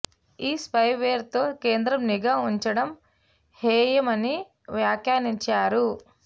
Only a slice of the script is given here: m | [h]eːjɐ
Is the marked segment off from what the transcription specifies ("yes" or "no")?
no